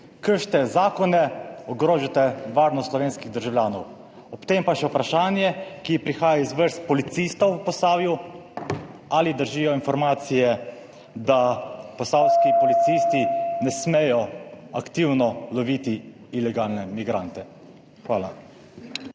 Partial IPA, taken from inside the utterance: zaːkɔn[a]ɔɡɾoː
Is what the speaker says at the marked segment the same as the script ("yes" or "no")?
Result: no